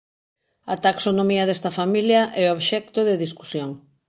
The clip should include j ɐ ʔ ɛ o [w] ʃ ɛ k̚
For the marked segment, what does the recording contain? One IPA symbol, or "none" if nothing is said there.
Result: β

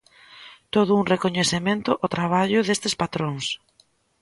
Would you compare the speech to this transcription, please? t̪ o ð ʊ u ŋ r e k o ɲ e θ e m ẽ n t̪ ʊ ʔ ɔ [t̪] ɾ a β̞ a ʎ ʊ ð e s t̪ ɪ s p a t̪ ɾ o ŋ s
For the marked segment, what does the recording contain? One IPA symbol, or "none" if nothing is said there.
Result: t̪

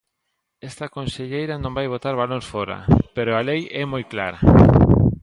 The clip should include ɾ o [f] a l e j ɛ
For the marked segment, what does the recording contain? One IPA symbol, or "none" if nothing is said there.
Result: none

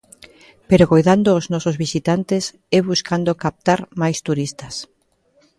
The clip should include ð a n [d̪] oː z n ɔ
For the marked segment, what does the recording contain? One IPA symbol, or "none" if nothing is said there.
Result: d̪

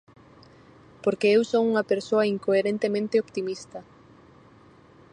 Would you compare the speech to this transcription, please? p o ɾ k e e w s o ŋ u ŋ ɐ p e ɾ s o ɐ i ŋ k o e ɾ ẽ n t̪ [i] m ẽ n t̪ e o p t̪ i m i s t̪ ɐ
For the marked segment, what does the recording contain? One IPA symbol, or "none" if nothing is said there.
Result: e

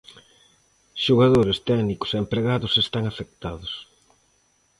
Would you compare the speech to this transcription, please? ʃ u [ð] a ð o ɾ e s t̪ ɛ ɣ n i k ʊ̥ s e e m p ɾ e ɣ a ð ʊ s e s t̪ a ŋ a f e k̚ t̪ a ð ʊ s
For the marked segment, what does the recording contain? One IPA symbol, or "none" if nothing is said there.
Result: ɣ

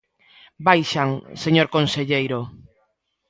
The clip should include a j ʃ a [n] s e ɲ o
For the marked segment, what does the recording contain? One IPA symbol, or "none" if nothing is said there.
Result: ŋ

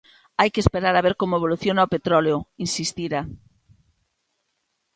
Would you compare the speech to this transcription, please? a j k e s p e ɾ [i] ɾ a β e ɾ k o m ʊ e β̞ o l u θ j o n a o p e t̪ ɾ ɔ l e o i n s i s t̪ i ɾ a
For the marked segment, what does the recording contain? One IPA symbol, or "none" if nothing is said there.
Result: a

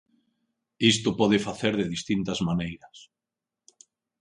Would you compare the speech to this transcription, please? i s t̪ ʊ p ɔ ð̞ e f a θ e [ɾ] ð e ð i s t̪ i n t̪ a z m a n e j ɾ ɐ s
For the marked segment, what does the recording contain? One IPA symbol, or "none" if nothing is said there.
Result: ɾ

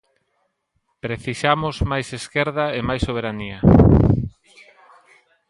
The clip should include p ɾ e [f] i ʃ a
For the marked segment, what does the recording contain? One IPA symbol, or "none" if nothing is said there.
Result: θ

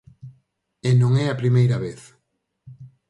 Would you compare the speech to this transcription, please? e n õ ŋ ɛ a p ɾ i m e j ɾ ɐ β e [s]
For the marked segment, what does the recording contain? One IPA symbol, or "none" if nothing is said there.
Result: θ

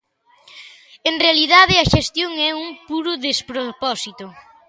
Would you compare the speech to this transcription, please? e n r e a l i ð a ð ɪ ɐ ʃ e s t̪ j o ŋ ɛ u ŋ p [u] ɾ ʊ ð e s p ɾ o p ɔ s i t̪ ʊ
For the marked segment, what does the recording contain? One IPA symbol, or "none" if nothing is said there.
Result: u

